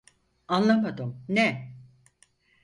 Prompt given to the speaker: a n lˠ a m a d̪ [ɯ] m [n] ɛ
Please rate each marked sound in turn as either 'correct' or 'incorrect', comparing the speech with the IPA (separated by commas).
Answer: correct, correct